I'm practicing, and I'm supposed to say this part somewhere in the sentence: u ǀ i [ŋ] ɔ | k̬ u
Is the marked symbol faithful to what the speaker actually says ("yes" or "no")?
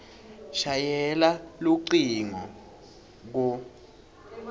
yes